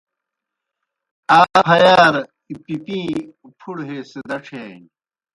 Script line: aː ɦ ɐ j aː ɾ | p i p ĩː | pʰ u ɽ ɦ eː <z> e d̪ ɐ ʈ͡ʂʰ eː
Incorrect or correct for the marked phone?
incorrect: s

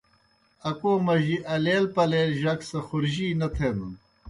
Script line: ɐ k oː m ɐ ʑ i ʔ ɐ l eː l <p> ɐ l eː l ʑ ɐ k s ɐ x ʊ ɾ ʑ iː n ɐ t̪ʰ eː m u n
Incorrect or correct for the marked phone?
correct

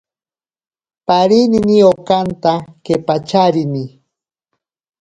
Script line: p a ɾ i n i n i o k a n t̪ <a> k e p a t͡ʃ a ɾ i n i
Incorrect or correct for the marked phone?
correct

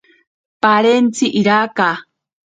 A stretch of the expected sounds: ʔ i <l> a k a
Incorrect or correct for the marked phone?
incorrect: ɾ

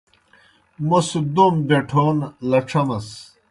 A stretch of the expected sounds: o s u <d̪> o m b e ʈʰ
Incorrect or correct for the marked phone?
correct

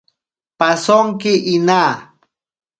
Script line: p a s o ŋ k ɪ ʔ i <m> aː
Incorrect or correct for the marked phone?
incorrect: n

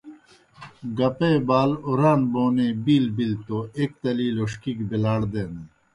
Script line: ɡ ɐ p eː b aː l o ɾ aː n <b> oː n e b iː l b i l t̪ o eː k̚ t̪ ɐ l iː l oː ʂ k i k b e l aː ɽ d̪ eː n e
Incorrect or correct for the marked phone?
correct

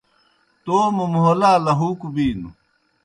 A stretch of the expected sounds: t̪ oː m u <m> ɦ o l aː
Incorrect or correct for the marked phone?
correct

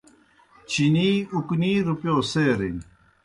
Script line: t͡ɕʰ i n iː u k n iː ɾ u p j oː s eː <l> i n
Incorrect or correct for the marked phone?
incorrect: ɾ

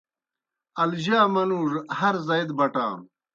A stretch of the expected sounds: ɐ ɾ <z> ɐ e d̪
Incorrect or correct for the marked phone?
correct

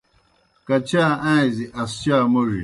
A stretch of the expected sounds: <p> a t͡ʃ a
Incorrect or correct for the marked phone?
incorrect: k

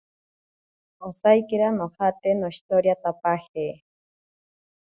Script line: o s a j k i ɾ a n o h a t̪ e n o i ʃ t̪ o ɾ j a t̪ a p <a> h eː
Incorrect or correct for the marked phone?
correct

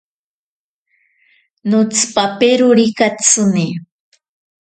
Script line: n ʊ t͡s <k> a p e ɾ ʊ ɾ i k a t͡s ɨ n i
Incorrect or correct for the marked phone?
incorrect: p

